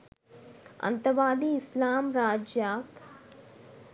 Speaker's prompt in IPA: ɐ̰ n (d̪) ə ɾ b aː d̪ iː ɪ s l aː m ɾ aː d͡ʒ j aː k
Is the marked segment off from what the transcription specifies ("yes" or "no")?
yes